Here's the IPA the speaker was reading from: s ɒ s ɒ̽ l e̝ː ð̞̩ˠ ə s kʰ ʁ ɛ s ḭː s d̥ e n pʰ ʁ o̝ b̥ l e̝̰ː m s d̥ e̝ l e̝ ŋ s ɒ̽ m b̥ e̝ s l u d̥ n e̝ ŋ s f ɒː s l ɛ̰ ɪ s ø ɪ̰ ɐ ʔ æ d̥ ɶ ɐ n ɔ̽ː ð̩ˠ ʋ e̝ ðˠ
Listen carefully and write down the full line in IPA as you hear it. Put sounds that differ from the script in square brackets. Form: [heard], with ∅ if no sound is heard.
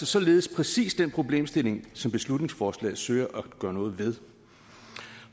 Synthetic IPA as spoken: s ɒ s ɒ̽ l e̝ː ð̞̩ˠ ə s [pʰ] ʁ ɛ s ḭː s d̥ e n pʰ ʁ o̝ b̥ l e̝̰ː m s d̥ e̝ l e̝ ŋ s ɒ̽ m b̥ e̝ s l u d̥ n e̝ ŋ s f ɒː s l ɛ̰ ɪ s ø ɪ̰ ɐ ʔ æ [ɡ̥] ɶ ɐ n ɔ̽ː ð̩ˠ ʋ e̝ ðˠ